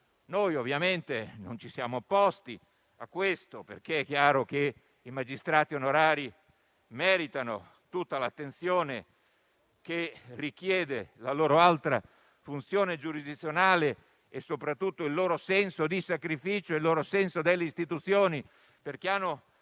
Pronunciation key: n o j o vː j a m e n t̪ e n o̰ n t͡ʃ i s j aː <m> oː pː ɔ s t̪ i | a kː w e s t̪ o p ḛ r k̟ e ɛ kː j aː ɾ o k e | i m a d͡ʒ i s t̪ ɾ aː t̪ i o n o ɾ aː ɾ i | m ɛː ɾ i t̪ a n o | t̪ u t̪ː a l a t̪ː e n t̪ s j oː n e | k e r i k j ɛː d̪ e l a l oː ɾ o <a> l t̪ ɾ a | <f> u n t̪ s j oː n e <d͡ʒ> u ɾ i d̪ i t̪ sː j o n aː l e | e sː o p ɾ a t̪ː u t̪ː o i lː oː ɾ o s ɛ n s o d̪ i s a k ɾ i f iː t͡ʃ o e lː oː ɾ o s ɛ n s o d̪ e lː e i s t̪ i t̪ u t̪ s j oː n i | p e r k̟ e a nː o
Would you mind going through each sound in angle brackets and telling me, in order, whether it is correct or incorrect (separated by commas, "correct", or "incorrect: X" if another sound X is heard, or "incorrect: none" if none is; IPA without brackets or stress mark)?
correct, correct, correct, correct